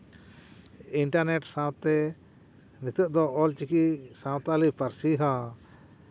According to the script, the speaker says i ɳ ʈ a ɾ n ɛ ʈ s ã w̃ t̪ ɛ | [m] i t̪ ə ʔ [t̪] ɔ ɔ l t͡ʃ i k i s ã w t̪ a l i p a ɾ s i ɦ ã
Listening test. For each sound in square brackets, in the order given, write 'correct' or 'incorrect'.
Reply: incorrect: n, incorrect: d̪

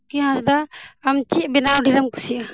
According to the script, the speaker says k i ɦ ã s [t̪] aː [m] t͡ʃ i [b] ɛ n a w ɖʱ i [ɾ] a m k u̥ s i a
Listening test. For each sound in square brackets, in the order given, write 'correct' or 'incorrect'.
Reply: incorrect: d̪, correct, correct, correct

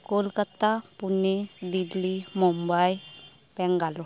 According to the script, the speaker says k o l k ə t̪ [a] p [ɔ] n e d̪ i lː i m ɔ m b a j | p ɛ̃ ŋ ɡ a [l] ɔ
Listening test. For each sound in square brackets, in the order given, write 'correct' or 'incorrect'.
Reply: correct, incorrect: u, correct

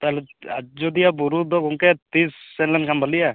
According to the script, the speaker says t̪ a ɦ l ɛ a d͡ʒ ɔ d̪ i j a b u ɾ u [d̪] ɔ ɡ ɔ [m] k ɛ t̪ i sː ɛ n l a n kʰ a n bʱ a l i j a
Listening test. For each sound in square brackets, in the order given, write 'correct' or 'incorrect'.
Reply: correct, incorrect: ŋ

